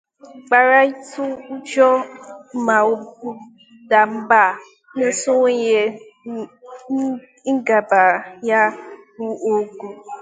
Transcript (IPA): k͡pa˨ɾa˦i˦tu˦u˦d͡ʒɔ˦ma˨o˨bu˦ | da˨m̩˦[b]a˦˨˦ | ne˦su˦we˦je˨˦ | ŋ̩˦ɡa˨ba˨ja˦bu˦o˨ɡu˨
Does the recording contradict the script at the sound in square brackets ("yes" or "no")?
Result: no